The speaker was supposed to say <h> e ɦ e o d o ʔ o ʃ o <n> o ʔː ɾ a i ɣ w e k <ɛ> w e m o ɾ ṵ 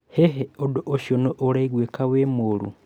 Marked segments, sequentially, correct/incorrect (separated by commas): correct, correct, incorrect